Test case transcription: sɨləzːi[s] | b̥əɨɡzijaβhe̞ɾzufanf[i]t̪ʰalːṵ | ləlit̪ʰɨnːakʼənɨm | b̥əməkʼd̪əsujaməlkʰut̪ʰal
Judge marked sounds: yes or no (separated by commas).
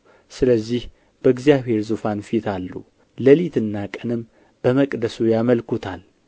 no, yes